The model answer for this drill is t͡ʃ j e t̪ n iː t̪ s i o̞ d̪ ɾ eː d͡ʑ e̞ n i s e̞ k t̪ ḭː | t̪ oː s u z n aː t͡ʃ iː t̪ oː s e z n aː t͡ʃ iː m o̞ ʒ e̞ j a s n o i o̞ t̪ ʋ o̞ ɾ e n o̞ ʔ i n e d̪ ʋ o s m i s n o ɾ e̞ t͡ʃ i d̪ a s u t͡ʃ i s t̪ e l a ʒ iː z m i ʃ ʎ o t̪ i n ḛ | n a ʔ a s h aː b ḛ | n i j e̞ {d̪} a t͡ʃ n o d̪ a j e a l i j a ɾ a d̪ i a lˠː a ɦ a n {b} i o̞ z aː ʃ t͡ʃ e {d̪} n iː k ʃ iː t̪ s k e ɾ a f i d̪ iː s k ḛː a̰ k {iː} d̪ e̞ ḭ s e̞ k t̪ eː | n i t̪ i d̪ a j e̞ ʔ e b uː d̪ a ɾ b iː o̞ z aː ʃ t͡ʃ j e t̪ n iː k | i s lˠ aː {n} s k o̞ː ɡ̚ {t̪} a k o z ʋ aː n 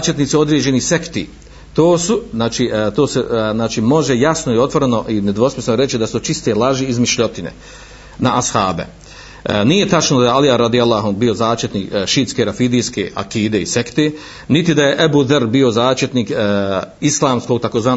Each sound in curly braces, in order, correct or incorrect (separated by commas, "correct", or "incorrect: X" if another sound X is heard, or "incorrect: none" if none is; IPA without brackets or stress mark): incorrect: t̪, correct, incorrect: t̪, correct, incorrect: m, correct